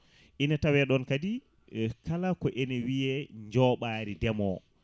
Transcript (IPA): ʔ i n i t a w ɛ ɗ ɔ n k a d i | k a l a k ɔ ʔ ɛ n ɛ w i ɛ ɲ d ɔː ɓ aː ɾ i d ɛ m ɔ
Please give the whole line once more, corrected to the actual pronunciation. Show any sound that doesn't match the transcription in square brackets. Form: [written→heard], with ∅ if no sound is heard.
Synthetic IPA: ʔ i n [i→a] t a w ɛ ɗ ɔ n k a d i | k a l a k ɔ ʔ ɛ n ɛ w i ɛ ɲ [d→d͡ʒ] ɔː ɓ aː ɾ i d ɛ m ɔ